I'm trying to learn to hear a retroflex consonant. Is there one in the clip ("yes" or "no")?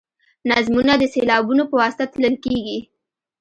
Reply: no